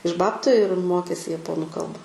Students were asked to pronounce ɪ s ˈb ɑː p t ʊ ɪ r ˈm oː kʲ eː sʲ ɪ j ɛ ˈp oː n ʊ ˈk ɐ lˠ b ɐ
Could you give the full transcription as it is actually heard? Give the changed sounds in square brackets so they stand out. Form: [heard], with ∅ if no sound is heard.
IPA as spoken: ɪ [ʃ] ˈb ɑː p t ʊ ɪ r ˈm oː kʲ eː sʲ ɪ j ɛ ˈp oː n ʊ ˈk ɐ lˠ b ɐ